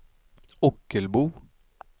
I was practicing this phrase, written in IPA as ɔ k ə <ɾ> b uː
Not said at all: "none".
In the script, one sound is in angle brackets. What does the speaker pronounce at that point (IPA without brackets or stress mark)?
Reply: l